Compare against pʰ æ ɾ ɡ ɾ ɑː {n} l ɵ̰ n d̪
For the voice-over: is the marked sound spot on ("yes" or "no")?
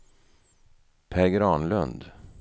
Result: yes